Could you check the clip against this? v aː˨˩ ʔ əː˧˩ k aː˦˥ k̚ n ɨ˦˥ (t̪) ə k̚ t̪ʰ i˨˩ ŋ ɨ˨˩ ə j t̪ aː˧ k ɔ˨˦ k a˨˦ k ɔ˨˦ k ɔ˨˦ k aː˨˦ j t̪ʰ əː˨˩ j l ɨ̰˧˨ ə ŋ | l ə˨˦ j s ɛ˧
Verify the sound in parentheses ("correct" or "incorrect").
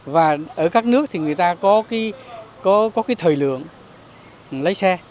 incorrect